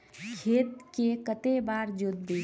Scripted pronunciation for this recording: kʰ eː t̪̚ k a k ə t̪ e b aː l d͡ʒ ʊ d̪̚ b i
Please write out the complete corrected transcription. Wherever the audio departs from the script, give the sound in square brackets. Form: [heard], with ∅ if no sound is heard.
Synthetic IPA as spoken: kʰ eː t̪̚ k [e] k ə t̪ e b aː [ɾ] d͡ʒ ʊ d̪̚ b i